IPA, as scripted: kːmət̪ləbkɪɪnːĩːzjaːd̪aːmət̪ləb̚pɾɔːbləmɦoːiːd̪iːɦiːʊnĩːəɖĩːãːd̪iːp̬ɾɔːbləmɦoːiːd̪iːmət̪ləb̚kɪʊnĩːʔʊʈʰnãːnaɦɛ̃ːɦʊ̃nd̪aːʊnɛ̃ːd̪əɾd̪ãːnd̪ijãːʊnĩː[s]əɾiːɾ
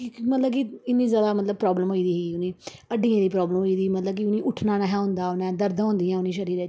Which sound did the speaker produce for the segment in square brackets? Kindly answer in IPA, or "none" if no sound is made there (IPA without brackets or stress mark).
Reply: ʃ